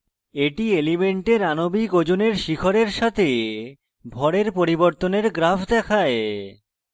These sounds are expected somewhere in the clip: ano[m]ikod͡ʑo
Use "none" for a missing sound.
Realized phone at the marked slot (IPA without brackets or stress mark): b